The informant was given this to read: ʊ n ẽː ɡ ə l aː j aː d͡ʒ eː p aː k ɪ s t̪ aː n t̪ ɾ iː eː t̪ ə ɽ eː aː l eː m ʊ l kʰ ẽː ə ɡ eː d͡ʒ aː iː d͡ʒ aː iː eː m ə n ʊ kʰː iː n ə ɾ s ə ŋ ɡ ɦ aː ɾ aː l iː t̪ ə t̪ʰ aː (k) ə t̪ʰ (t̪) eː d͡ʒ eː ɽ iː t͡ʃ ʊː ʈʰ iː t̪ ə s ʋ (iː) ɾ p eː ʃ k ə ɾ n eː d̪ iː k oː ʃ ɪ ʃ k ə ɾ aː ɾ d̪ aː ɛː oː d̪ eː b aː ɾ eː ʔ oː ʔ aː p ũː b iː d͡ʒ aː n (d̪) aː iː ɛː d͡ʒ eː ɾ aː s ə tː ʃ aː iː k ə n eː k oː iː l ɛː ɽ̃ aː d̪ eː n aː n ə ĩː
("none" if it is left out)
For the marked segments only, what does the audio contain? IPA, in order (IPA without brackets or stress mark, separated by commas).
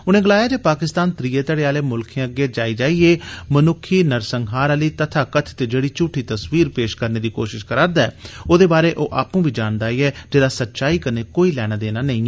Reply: k, t̪, iː, d̪